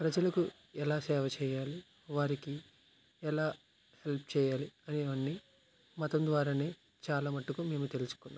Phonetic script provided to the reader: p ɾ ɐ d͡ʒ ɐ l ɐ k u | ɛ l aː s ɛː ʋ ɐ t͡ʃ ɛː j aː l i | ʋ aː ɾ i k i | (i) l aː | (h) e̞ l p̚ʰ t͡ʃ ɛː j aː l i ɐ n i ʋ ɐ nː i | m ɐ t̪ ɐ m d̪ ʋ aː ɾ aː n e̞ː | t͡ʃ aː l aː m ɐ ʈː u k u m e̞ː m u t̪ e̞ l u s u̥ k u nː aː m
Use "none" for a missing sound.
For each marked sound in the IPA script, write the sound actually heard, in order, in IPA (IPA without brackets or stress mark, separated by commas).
ɛ, h